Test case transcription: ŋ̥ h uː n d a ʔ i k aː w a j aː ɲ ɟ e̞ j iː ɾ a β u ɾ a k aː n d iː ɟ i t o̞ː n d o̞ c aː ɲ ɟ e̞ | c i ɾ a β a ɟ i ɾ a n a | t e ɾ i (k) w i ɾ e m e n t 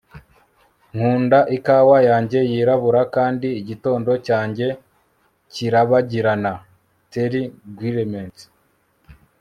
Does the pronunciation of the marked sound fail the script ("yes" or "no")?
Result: yes